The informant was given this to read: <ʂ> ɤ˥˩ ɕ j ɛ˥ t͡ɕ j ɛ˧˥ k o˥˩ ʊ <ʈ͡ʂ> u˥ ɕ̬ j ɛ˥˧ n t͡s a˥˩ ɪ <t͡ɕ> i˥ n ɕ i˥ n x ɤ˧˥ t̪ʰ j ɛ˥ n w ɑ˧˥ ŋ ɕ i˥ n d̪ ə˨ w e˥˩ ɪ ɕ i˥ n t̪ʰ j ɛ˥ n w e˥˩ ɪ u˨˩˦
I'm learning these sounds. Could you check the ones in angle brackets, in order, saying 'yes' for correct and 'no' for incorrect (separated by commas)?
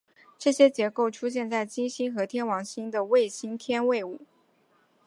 no, no, yes